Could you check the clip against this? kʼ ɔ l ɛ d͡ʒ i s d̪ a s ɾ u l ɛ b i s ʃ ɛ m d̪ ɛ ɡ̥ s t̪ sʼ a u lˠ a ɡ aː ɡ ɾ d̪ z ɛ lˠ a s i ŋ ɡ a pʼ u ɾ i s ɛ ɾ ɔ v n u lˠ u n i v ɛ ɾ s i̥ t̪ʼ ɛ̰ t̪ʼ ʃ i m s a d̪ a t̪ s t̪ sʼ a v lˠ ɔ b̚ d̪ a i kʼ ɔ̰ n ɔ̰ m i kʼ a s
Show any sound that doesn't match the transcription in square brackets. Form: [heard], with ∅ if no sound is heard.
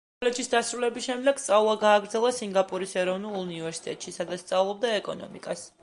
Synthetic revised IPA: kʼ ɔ l ɛ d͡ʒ i s d̪ a s ɾ u l ɛ b i s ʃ ɛ m d̪ ɛ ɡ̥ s t̪ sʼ a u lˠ a ɡ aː ɡ ɾ d̪ z ɛ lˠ a s i ŋ ɡ a pʼ u ɾ i s ɛ ɾ ɔ v n u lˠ u n i v ɛ ɾ s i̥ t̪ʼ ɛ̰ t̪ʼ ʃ i [∅] s a d̪ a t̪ s t̪ sʼ a v lˠ ɔ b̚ d̪ a [ɛ] kʼ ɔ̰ n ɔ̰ m i kʼ a s